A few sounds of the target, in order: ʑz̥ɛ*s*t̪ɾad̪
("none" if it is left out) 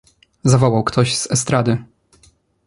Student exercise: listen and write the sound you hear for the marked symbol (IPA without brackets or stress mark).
s